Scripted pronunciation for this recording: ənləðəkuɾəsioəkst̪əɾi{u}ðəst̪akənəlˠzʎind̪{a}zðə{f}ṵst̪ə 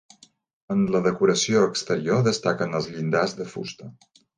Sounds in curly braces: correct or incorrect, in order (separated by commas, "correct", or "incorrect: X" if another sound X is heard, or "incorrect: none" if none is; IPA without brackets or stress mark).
incorrect: o, correct, correct